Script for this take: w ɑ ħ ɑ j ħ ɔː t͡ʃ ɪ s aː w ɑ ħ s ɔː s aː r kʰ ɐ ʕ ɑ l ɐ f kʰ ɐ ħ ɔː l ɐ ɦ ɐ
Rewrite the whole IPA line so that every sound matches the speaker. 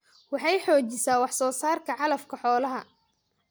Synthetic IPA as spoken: w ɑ ħ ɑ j ħ ɔː t͡ʃ ɪ s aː w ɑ ħ s ɔː s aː r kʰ ɐ ʕ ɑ l ɐ f kʰ ɐ ħ ɔː l ɐ ɦ ɐ